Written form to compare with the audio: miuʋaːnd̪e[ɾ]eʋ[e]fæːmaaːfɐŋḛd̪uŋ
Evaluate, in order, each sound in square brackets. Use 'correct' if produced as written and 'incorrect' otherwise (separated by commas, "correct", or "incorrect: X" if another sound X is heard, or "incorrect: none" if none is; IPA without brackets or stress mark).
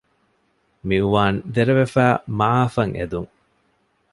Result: correct, correct